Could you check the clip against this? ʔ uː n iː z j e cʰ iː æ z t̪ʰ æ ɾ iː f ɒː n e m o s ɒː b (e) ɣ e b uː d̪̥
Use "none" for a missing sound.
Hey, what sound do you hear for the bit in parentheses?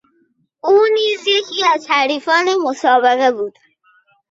e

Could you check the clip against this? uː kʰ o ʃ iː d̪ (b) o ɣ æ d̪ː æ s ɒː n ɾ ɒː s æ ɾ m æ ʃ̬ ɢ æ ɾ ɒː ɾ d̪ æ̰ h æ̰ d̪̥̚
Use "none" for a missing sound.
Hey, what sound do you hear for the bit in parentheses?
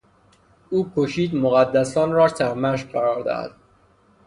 m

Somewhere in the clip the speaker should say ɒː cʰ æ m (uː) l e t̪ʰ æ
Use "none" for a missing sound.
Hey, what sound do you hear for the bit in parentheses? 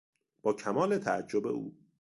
ɒː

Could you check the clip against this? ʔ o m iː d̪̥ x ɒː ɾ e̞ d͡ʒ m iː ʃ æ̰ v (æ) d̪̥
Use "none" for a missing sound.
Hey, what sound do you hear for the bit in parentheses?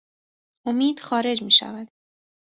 æ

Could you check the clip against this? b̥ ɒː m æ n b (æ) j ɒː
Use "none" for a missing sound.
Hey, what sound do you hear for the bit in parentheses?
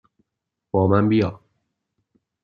i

